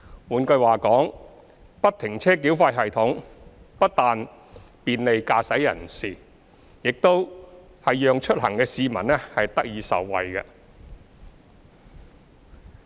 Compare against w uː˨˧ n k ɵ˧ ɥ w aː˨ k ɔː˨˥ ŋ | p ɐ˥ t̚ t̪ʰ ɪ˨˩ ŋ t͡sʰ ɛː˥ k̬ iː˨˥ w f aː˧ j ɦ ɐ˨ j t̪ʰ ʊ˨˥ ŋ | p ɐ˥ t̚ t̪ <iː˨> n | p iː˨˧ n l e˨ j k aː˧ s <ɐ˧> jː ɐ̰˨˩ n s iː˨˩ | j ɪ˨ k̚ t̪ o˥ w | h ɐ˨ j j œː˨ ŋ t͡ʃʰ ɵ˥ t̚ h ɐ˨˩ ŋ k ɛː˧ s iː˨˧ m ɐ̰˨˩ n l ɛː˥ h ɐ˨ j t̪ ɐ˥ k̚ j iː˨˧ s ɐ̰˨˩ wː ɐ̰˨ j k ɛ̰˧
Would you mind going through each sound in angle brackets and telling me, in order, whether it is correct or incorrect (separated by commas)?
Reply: incorrect, incorrect